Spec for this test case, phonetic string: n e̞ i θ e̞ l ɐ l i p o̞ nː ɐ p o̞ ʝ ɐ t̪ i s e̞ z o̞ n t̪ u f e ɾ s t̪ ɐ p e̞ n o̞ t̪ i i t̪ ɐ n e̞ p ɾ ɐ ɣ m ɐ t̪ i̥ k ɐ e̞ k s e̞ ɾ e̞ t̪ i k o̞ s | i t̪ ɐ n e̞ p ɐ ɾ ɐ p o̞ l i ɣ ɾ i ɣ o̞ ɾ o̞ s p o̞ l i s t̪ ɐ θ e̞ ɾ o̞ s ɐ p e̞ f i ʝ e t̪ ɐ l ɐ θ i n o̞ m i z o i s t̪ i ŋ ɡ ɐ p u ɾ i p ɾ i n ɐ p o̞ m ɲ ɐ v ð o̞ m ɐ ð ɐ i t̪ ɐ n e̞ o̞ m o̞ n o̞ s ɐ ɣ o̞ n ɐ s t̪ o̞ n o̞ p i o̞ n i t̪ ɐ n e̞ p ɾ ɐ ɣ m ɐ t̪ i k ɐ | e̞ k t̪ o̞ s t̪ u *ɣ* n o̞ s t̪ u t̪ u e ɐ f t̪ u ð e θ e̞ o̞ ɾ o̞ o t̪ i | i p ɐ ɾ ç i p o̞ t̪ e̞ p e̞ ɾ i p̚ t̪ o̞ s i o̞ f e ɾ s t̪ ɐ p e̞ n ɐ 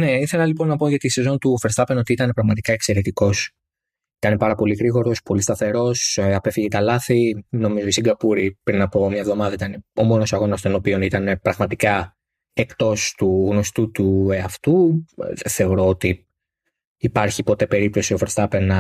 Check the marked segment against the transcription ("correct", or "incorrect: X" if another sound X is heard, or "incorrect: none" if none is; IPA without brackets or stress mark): correct